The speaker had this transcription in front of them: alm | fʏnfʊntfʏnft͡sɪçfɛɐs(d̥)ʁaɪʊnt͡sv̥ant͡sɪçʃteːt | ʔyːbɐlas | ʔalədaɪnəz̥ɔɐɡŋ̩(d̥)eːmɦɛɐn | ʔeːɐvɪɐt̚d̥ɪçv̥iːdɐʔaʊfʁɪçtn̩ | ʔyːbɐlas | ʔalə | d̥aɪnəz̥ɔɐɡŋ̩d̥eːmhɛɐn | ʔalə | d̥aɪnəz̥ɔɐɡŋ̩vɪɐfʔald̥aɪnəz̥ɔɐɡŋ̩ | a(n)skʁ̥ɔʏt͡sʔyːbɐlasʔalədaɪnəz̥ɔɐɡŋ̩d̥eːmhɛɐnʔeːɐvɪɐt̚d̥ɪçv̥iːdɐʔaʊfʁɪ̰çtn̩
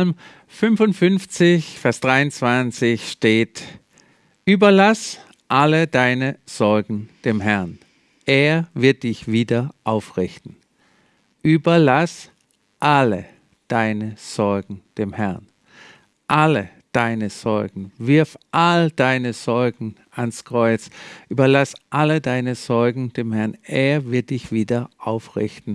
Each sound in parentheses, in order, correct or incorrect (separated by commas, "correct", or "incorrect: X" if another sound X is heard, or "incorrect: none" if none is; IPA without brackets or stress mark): correct, correct, correct